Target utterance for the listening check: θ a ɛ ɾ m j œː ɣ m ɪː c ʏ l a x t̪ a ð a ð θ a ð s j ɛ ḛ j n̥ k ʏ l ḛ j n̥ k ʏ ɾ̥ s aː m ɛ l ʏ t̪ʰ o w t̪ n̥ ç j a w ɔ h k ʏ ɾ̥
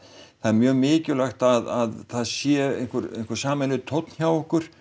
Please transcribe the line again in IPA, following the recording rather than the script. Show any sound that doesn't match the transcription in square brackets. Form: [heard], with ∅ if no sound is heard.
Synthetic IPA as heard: θ a ɛ ɾ m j œː ɣ m ɪː c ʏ l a x t̪ a ð a ð θ a ð s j ɛ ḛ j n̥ k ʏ [ɾ] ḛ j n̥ k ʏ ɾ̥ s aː m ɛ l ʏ t̪ʰ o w t̪ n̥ ç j a w ɔ h k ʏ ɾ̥